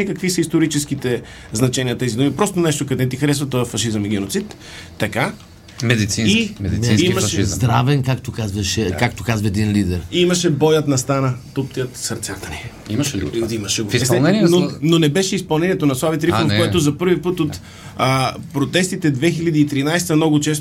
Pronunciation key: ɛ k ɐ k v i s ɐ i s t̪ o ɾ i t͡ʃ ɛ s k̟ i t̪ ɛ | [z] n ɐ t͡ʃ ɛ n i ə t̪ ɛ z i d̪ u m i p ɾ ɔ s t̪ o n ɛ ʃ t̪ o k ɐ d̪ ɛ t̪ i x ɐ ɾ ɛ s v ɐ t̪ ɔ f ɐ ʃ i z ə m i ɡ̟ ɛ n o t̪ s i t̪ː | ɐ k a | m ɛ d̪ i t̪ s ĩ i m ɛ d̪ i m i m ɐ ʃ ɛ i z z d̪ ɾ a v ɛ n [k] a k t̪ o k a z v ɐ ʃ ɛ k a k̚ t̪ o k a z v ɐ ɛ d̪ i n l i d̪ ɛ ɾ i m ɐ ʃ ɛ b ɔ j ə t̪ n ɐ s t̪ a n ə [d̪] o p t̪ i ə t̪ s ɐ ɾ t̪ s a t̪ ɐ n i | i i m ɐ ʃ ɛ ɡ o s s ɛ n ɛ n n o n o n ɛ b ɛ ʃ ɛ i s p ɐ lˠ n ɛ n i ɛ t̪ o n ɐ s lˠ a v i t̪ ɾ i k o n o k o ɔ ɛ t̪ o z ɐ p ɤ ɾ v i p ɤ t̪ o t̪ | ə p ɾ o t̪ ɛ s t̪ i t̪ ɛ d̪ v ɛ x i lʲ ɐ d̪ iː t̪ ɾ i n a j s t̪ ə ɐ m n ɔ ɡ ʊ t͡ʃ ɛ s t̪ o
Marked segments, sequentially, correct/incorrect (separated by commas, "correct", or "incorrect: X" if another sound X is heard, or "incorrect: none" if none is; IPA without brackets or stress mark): correct, correct, incorrect: t̪